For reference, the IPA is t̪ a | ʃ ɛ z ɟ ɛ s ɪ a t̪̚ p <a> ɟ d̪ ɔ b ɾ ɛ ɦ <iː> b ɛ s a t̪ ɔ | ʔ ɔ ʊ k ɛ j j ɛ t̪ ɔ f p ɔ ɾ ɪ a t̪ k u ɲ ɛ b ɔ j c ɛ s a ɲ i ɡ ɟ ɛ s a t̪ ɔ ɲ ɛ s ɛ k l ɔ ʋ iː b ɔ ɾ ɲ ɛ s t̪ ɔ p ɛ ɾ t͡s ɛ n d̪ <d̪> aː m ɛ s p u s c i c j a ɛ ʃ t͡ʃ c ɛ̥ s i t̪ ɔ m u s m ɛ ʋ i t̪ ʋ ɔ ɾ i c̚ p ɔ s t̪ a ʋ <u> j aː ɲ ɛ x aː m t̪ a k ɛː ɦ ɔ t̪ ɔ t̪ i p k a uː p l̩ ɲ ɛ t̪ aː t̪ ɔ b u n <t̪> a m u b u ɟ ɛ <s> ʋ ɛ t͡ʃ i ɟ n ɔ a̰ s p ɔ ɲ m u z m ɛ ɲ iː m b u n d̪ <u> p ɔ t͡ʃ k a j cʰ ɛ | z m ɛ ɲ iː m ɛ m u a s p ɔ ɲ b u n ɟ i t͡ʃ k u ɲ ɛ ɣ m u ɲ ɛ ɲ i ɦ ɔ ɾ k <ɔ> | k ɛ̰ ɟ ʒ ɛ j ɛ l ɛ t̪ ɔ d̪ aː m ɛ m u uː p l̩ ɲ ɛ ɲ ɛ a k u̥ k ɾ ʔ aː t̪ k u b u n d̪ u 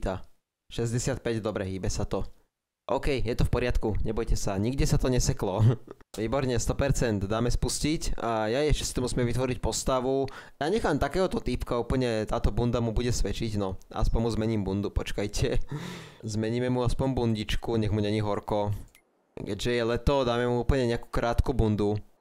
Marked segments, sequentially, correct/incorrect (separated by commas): incorrect, correct, correct, correct, incorrect, correct, correct, correct